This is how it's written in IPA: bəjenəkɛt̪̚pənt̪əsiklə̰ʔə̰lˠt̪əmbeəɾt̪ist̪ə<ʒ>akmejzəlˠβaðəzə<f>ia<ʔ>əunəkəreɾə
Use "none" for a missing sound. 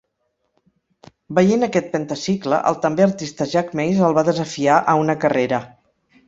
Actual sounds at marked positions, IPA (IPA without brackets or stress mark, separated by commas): ʒ, f, ʔ